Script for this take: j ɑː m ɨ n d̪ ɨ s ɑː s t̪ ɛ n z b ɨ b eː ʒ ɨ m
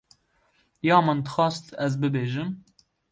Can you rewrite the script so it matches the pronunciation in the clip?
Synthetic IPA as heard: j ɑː m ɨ n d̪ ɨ x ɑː s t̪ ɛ z b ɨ b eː ʒ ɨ m